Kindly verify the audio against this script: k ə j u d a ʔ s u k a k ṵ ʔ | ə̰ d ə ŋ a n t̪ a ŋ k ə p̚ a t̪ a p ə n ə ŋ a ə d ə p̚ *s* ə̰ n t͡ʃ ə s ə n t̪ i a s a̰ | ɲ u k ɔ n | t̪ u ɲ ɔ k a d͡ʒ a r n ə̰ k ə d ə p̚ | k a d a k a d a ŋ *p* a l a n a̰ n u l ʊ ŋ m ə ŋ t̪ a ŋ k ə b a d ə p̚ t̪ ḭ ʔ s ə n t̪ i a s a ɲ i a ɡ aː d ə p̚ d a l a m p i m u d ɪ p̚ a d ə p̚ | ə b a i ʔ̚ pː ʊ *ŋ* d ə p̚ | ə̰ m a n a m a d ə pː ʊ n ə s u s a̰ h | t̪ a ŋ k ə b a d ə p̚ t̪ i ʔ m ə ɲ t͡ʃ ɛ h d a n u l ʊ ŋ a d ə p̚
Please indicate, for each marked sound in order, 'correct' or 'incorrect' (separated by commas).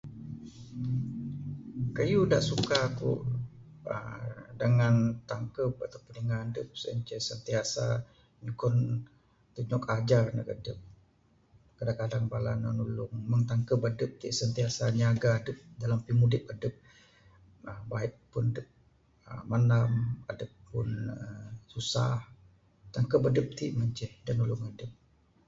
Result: correct, incorrect, incorrect